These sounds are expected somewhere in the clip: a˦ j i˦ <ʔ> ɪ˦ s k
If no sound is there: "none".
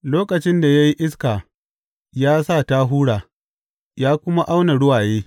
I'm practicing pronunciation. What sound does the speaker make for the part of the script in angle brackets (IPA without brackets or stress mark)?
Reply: ʔ